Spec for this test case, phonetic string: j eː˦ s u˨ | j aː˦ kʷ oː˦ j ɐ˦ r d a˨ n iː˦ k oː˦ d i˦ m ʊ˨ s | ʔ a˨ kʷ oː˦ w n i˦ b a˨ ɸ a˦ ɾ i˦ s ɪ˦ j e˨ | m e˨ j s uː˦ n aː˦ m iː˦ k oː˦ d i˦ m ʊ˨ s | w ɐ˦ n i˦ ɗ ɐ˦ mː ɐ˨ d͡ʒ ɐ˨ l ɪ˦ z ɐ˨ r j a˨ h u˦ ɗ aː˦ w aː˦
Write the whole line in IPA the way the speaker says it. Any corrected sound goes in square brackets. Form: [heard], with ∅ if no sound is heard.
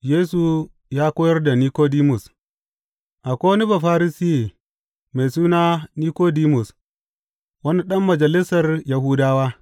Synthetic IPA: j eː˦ s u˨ | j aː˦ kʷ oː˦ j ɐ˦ r d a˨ n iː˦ k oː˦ d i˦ m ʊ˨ s | ʔ a˨ kʷ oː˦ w n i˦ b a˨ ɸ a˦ ɾ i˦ s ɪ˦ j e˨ | m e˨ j s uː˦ n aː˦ [n] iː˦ k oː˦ d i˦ m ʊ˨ s | w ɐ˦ n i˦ ɗ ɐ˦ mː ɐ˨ d͡ʒ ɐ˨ l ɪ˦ [s] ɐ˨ r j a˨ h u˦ [d] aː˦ w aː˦